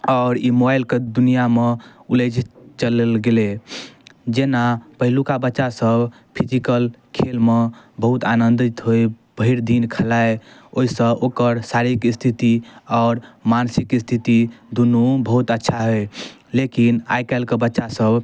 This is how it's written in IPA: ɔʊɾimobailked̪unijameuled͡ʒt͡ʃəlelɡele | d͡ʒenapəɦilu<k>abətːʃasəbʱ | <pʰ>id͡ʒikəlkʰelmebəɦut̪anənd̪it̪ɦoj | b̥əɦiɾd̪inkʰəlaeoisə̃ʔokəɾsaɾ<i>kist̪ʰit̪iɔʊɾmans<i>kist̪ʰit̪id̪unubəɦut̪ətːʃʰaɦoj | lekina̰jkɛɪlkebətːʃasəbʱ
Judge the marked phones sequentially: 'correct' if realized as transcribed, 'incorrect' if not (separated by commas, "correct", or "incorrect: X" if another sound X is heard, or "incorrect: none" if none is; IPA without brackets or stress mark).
correct, correct, correct, correct